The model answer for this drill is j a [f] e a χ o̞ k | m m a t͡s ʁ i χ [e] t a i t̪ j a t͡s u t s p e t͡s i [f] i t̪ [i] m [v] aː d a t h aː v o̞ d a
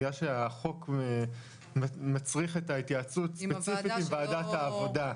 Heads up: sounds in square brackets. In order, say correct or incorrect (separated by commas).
incorrect, correct, correct, correct, correct